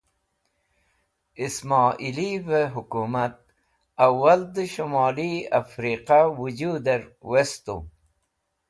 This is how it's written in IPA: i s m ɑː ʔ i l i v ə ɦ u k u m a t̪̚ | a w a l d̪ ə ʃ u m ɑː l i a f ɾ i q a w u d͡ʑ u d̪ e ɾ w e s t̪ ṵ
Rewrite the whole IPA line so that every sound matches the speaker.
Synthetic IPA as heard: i s m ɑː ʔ i l i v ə ɦ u k u m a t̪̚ | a w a l d̪ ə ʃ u m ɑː l i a f ɾ i q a w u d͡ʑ u d̪ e ɾ w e s t̪ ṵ